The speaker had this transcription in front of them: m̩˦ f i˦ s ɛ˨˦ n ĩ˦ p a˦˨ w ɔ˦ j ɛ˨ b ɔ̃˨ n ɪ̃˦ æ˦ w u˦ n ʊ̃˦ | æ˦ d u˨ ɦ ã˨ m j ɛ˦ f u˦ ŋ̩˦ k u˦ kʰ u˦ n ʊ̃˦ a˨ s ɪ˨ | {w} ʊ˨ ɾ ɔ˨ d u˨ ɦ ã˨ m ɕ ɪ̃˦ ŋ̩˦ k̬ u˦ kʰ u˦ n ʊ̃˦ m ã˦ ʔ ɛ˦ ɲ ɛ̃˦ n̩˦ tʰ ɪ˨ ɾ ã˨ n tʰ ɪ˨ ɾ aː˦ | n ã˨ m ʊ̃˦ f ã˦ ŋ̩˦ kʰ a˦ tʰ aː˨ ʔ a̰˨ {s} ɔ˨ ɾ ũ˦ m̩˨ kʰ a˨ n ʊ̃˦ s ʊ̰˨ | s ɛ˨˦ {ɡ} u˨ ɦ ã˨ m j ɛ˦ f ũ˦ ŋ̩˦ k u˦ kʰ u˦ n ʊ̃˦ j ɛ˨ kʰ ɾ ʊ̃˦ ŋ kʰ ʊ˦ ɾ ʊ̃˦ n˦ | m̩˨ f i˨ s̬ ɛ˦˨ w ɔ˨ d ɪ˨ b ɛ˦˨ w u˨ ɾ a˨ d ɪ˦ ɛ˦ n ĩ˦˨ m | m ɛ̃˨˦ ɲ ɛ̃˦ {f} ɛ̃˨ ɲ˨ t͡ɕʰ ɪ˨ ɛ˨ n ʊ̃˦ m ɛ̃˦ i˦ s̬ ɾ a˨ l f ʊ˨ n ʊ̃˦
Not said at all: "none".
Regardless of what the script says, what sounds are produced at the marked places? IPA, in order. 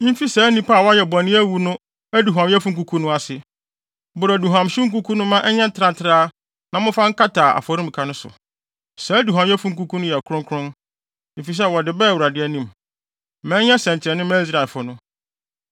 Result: b, f, d, s

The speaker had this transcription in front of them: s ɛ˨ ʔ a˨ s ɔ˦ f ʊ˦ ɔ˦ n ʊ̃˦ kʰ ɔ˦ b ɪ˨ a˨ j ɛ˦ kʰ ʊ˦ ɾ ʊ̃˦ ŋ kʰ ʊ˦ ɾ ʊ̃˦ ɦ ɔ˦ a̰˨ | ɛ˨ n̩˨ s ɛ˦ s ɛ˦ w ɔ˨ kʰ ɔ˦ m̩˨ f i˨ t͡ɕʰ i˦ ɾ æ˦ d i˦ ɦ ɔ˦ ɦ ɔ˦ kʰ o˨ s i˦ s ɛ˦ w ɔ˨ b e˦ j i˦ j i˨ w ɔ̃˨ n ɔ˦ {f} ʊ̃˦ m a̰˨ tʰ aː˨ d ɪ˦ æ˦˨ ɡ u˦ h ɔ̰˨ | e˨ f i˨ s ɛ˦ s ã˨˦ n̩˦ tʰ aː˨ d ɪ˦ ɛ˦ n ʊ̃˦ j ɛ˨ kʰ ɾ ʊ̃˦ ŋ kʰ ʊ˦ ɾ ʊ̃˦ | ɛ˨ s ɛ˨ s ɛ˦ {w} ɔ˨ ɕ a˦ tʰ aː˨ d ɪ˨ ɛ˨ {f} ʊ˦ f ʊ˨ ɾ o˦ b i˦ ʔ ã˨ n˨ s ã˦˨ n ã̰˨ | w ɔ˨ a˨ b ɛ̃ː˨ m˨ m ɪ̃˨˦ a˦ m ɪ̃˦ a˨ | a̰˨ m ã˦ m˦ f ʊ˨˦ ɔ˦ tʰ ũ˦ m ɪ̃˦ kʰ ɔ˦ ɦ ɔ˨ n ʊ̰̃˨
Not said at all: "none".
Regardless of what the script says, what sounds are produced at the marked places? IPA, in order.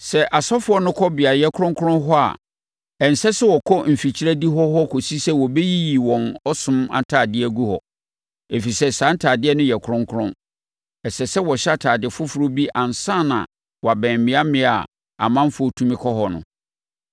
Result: s, w, f

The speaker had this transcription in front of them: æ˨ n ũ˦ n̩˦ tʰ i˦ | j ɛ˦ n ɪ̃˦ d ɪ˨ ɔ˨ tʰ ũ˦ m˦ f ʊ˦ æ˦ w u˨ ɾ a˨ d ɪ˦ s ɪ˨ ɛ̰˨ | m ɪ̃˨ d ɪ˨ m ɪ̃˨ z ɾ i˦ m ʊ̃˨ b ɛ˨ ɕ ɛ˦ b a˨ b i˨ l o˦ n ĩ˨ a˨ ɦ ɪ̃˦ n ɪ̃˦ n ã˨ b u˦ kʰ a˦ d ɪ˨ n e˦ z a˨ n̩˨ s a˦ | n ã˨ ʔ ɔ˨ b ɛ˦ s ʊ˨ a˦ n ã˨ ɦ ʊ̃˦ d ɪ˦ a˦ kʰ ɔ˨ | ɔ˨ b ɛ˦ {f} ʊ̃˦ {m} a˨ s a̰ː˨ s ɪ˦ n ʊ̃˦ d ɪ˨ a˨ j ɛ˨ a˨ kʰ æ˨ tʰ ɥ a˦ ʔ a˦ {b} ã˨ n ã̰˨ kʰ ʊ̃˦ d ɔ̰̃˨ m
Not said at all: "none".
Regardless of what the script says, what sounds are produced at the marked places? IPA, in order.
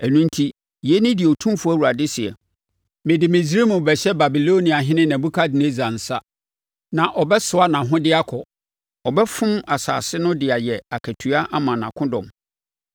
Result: f, m, m

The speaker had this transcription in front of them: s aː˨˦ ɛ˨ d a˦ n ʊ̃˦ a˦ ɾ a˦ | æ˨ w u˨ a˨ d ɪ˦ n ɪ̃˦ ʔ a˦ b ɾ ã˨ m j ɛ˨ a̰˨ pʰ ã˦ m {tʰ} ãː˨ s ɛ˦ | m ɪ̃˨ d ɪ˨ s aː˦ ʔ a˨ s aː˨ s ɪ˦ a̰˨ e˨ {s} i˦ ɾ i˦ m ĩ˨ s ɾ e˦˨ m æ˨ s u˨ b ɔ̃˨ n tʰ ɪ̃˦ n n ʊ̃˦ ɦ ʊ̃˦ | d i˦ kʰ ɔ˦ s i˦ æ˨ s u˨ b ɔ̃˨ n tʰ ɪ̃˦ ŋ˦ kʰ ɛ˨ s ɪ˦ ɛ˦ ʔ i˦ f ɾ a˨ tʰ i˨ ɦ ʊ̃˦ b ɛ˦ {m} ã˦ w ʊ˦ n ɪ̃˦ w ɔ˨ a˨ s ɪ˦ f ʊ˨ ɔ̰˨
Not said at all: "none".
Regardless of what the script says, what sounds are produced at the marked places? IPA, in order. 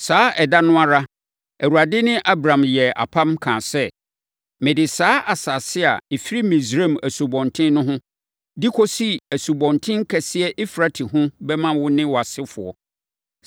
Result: kʰ, f, m

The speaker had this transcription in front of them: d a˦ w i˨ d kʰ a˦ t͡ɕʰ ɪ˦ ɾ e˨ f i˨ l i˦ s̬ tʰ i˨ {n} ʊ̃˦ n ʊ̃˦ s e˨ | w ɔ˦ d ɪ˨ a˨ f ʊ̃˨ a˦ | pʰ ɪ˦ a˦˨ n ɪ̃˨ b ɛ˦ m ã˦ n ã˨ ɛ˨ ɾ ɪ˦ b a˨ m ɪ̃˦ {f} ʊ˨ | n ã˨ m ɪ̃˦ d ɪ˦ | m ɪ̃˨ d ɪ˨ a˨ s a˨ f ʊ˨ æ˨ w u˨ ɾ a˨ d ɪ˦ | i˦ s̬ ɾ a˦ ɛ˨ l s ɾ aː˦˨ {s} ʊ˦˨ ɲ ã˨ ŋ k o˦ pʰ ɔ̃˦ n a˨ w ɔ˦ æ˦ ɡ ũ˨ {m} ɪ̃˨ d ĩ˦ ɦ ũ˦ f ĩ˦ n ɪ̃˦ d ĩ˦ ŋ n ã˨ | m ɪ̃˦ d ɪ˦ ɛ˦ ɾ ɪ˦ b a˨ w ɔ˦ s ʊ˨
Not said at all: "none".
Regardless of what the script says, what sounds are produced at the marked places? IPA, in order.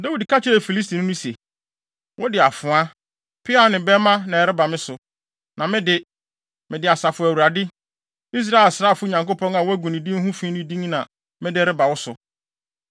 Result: n, s, f, n

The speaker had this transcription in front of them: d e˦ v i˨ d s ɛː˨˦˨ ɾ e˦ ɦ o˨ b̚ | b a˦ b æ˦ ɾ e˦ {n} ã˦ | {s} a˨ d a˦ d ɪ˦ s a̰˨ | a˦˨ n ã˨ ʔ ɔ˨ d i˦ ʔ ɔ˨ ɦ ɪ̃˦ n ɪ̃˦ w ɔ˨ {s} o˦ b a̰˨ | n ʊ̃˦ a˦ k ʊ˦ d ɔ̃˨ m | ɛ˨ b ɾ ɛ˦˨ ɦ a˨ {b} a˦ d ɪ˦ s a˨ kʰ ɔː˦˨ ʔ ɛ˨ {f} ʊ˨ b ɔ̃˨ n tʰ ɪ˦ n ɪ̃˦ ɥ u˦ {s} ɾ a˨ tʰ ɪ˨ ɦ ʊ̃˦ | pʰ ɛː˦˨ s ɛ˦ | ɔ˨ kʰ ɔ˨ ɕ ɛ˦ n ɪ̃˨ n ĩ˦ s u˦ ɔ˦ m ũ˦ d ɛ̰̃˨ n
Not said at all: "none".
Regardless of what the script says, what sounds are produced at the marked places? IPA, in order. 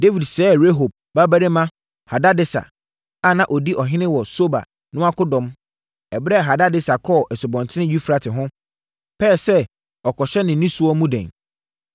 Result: m, h, s, d, s, f

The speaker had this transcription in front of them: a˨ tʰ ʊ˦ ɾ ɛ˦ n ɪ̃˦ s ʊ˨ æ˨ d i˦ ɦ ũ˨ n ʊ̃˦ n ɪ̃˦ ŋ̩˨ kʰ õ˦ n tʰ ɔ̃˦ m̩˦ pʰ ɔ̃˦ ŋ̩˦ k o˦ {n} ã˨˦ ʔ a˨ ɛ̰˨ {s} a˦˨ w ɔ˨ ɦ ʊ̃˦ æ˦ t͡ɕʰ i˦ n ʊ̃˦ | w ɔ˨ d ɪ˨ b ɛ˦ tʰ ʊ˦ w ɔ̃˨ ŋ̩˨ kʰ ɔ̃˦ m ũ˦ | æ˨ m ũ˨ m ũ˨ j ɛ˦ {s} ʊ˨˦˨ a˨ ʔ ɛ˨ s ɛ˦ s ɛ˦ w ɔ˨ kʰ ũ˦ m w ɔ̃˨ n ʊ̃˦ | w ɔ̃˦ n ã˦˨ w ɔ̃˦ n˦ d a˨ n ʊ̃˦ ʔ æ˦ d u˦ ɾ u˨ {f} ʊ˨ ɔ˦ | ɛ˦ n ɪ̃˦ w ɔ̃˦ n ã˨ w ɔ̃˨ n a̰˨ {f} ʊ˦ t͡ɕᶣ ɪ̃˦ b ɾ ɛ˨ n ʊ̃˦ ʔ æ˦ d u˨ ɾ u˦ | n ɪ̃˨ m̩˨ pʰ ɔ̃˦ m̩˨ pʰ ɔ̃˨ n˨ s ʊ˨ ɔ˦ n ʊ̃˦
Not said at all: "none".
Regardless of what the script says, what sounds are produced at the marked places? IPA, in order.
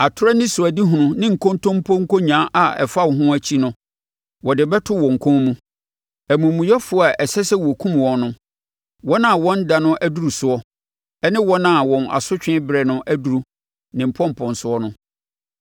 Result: ɲ, f, f, s, s

